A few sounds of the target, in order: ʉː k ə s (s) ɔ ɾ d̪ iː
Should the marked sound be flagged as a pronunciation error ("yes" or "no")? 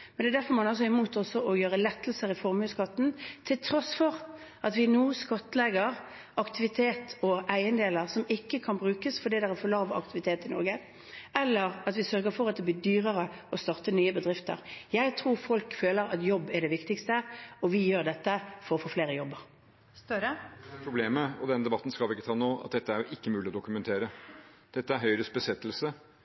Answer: yes